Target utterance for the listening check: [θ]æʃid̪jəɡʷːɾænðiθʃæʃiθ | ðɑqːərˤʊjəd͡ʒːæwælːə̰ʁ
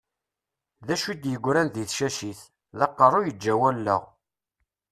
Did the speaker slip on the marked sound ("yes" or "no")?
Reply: yes